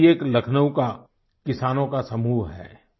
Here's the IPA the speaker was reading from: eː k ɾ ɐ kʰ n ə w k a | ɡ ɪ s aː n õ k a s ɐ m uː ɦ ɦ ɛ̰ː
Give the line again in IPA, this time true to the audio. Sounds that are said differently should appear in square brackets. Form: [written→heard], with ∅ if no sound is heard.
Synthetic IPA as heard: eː k [ɾ→l] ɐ kʰ n ə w k a | [ɡ→k] ɪ s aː n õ k a s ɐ m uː ɦ ɦ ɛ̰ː